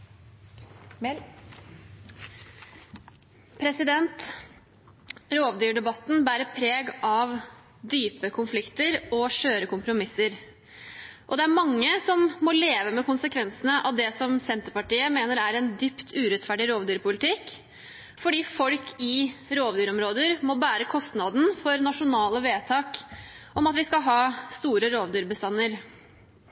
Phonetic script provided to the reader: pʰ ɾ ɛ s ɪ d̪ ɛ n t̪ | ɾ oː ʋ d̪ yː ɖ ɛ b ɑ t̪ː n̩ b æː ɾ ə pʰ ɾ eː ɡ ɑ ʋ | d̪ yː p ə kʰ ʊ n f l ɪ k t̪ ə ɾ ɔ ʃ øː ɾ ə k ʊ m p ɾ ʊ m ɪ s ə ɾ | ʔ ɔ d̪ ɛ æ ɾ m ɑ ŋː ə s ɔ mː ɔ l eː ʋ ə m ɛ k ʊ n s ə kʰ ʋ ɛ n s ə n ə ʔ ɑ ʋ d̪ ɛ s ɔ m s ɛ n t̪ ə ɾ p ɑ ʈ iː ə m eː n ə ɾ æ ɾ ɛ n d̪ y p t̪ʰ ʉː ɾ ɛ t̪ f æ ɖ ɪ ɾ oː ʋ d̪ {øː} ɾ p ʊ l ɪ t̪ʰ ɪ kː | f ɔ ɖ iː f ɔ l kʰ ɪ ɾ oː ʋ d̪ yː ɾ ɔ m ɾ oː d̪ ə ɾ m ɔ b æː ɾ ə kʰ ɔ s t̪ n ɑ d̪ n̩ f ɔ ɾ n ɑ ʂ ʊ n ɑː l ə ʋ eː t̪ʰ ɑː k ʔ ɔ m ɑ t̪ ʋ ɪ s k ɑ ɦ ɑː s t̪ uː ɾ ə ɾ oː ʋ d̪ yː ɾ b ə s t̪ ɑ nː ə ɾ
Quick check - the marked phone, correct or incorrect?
incorrect: yː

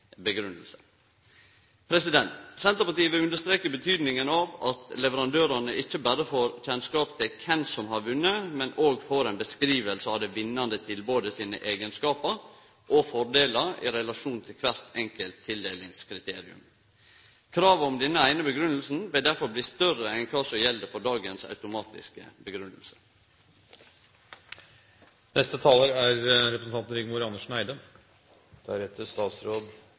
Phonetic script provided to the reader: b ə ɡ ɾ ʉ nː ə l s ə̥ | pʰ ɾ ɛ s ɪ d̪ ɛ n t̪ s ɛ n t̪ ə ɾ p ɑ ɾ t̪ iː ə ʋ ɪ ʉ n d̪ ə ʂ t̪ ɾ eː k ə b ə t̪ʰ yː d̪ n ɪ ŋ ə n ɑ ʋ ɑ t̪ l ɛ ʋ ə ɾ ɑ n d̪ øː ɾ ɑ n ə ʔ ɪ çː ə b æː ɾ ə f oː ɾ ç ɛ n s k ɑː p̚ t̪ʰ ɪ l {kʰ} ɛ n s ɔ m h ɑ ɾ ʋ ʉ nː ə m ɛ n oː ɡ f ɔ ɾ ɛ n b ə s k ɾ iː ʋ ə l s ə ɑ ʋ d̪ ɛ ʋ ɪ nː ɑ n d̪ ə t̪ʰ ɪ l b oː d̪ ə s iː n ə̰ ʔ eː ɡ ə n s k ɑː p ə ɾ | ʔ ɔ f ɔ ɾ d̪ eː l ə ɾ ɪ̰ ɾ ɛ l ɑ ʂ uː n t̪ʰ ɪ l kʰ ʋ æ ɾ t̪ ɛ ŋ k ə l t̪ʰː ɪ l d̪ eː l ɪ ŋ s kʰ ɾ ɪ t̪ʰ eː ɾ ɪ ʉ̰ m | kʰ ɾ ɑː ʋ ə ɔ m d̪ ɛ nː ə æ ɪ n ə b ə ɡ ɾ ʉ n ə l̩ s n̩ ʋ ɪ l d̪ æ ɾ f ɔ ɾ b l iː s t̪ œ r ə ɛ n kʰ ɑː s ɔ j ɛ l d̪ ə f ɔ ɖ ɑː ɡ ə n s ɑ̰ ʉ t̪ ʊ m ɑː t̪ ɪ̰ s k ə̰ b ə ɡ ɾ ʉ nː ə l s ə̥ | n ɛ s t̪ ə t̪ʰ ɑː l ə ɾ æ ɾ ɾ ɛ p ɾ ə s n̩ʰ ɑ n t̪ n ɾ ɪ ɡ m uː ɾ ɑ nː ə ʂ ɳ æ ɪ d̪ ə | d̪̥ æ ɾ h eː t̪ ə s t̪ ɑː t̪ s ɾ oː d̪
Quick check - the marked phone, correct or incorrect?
correct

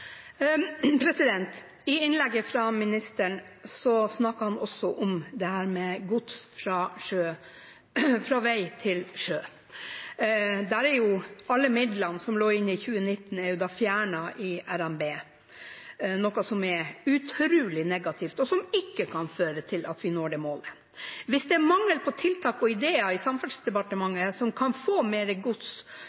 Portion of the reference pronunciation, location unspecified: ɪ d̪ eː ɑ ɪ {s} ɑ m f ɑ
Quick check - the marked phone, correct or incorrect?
correct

